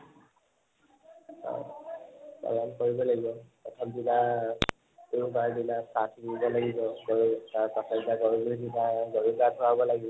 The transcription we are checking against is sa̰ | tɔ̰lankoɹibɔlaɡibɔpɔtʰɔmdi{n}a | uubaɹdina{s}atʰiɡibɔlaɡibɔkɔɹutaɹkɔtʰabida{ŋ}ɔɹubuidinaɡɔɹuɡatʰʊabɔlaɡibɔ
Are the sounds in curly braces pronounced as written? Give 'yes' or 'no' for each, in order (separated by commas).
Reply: yes, yes, no